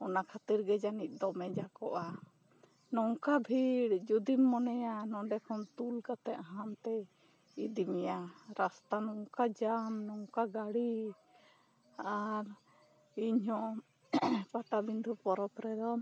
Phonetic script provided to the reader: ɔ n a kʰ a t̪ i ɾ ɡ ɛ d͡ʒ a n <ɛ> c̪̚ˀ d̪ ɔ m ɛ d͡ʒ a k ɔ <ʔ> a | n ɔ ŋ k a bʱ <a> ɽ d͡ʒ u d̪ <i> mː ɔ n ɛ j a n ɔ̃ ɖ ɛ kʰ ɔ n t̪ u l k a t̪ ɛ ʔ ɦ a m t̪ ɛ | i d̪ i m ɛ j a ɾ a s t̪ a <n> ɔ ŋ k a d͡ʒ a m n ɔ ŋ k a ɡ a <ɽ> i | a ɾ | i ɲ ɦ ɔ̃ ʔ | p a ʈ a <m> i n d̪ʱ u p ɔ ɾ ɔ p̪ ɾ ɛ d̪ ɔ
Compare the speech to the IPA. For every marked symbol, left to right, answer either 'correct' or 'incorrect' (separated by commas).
incorrect, correct, incorrect, correct, correct, correct, incorrect